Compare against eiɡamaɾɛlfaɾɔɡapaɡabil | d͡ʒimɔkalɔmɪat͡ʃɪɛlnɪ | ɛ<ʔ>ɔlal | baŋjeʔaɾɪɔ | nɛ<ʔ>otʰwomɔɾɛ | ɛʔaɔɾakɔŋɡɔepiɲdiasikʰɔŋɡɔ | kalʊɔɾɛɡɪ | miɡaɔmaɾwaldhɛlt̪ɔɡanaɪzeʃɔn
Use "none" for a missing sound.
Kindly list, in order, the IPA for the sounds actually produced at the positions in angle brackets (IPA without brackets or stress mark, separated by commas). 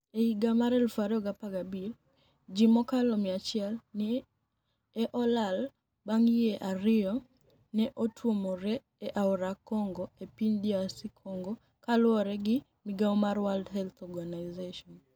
ʔ, ʔ